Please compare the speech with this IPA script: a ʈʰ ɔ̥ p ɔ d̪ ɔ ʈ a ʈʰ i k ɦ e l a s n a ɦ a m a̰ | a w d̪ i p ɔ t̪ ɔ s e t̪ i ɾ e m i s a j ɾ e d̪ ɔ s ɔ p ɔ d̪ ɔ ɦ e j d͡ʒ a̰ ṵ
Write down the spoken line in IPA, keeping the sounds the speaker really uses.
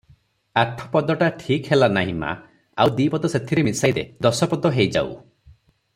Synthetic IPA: a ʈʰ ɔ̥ p ɔ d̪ ɔ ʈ a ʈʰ i k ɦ e l a n a ɦ i m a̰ | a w d̪ i p ɔ d̪ ɔ s e t̪ʰ i ɾ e m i s a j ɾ e d̪ ɔ s ɔ p ɔ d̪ ɔ ɦ e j d͡ʒ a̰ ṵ